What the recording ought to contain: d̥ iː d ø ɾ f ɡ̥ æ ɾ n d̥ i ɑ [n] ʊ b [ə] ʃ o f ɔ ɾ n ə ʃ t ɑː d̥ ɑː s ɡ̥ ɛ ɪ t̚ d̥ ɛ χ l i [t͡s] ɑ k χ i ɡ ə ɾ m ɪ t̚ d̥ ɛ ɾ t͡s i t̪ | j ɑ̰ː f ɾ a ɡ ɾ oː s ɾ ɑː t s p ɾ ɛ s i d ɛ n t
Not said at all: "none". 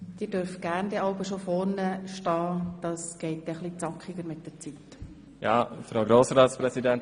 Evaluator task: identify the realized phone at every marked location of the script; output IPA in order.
none, ə, t͡s

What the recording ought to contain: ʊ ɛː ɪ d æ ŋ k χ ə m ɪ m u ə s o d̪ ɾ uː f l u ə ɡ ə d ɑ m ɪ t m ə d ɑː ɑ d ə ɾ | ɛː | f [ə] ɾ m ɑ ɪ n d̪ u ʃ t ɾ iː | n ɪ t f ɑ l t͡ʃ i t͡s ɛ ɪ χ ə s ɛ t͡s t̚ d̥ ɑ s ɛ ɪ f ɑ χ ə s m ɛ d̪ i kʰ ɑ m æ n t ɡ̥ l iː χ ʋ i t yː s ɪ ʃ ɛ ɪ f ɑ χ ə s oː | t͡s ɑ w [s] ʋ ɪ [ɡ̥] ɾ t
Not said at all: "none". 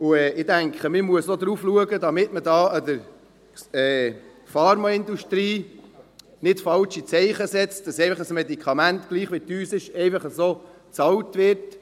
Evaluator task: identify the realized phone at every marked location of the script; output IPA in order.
ɑ, t, none

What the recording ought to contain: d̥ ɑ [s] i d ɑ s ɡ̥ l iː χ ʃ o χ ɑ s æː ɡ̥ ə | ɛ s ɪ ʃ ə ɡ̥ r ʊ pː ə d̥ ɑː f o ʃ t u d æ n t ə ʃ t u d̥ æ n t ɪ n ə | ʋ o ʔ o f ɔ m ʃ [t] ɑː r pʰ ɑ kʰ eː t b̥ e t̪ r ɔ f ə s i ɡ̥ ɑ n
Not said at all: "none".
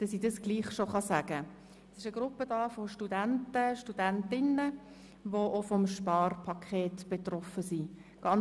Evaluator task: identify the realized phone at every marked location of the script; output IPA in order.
s, p

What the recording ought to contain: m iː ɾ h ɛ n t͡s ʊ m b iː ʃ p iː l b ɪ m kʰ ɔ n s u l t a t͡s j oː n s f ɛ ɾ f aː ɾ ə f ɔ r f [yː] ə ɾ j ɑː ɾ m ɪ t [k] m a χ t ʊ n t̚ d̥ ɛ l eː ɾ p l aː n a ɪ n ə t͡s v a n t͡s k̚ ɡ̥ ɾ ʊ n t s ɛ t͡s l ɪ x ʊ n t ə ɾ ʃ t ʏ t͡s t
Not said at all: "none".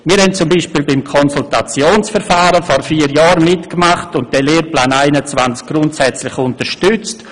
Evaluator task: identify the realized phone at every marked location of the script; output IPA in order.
iː, k

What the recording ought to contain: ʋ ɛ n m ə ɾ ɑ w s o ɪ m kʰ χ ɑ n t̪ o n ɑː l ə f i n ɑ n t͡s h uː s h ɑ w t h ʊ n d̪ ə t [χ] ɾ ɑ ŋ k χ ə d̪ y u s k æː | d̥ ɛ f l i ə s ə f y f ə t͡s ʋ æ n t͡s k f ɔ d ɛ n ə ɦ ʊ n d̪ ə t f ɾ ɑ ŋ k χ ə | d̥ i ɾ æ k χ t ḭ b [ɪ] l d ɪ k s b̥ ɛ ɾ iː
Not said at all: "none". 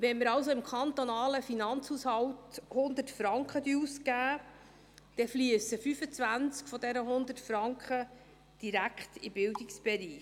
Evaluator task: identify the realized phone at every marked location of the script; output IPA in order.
f, ɪ

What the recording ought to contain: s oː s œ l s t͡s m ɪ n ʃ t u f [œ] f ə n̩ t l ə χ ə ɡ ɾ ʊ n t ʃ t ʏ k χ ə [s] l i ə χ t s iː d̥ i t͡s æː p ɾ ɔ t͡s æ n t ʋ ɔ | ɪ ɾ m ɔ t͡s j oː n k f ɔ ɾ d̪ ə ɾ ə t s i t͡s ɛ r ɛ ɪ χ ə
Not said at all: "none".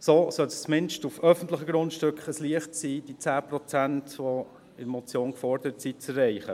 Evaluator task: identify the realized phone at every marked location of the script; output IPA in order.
œ, s

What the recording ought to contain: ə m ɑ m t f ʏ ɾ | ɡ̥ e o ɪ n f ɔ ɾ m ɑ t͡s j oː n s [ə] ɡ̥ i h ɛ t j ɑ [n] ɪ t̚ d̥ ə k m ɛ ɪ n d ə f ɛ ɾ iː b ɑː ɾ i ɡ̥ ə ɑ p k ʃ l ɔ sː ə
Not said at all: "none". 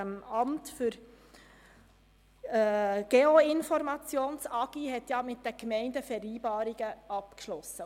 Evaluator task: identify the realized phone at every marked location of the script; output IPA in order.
ɑ, m

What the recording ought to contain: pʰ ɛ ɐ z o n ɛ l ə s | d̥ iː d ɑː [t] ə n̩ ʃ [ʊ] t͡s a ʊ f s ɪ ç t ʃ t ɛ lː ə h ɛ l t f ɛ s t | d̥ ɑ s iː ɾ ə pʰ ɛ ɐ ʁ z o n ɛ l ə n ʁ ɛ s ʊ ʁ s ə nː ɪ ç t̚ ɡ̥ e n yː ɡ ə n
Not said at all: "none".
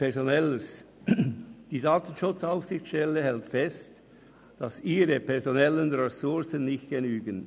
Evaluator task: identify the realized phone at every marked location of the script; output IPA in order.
t, ʊ

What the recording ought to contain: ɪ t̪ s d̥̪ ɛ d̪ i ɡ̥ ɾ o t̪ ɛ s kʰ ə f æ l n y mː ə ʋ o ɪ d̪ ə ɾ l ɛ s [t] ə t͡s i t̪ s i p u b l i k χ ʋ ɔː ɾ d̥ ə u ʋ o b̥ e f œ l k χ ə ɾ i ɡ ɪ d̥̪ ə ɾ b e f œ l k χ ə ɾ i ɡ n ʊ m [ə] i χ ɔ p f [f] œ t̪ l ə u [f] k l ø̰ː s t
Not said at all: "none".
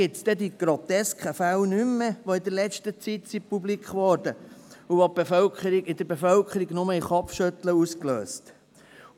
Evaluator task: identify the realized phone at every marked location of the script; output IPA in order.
t, ə, ʃ, s

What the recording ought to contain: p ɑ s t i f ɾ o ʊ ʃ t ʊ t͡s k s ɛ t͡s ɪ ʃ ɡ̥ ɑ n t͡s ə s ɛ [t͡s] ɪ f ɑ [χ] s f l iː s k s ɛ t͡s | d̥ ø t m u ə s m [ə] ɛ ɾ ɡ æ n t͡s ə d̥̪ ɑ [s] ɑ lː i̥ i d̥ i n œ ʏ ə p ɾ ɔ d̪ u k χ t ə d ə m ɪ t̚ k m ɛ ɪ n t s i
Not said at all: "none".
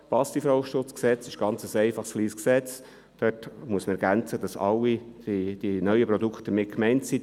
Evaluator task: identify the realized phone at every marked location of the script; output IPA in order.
none, χ, ə, s

